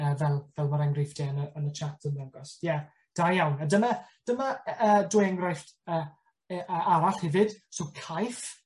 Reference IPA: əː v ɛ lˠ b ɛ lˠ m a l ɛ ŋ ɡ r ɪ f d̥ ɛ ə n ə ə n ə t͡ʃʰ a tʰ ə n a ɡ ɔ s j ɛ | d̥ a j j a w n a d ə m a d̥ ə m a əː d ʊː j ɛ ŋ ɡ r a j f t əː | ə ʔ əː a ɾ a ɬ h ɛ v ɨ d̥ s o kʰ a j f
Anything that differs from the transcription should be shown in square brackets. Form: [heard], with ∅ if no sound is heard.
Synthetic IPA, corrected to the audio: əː v ɛ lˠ [v] ɛ lˠ m a [ɾ] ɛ ŋ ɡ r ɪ f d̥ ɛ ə n ə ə n ə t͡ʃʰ a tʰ ə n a ɡ ɔ s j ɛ | d̥ a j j a w n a d ə m a d̥ ə m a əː d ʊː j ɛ ŋ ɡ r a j f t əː | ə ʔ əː a ɾ a ɬ h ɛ v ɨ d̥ s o kʰ a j f